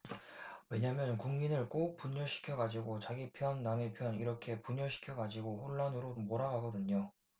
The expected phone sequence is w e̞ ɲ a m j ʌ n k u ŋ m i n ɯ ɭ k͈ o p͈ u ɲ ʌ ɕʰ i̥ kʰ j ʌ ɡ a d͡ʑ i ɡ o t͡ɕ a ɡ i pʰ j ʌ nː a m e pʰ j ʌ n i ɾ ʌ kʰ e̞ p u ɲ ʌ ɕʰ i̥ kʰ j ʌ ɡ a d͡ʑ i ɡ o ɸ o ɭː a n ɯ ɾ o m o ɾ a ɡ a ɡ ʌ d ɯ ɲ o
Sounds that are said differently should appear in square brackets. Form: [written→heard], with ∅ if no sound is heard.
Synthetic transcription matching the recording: w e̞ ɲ a m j ʌ n k u ŋ m i n ɯ ɭ k͈ o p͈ u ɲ ʌ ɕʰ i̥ kʰ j ʌ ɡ a d͡ʑ i ɡ o t͡ɕ a ɡ i pʰ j ʌ nː a m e pʰ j ʌ n i ɾ ʌ kʰ e̞ p u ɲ ʌ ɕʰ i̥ kʰ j ʌ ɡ a d͡ʑ i ɡ o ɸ o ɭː a n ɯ ɾ o m o ɾ a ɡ a ɡ ʌ d ɯ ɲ o